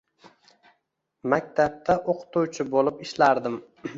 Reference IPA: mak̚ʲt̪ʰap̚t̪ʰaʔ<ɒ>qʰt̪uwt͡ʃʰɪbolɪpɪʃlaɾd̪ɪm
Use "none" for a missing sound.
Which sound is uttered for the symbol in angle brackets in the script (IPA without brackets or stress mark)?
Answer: o